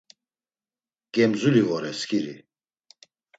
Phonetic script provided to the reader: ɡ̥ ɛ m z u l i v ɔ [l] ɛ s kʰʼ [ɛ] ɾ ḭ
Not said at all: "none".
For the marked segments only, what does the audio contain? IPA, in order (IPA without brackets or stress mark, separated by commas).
ɾ, i